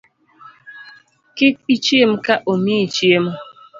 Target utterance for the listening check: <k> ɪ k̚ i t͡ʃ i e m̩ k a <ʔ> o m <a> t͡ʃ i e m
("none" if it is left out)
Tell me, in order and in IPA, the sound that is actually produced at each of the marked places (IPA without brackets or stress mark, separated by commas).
k, ʔ, i